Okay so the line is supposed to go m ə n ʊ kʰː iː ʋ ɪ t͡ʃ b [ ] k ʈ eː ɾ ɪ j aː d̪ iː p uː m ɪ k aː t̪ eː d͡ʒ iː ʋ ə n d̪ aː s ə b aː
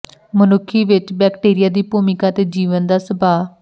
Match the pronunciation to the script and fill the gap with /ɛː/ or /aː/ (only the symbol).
ɛː